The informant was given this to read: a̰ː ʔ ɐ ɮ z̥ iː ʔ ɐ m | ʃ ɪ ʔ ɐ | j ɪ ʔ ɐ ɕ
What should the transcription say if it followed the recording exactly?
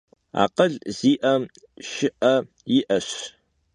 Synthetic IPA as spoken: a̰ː q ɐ ɮ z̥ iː ʔ ɐ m | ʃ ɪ ʔ ɐ | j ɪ ʔ ɐ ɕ